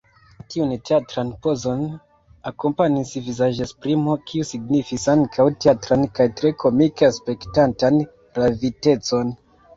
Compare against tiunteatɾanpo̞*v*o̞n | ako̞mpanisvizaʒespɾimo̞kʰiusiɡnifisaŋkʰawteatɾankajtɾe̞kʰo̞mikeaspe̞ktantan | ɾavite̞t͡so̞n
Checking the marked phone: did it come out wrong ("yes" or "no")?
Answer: yes